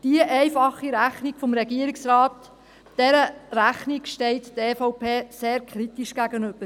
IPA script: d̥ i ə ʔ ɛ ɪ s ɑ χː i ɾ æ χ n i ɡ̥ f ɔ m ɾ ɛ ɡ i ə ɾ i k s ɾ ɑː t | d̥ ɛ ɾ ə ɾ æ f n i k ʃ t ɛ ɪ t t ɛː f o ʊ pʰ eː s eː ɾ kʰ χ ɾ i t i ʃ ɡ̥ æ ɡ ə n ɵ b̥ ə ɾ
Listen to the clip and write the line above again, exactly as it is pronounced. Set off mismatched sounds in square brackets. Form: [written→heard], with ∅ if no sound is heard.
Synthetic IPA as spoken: d̥ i ə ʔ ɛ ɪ [s→f] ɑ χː i ɾ æ χ n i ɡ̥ f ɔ m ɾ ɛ ɡ i ə ɾ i k s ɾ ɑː t | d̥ ɛ ɾ ə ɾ æ [f→χ] n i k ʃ t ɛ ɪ t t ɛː f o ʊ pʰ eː s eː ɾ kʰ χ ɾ i t i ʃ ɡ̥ æ ɡ ə n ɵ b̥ ə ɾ